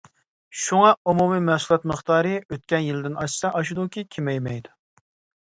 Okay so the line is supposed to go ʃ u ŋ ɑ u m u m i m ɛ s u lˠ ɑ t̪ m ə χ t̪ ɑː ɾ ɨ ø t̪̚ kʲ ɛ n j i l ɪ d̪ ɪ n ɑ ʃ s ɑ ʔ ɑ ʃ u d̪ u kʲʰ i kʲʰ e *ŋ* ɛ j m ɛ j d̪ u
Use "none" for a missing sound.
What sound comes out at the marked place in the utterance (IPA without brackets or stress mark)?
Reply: m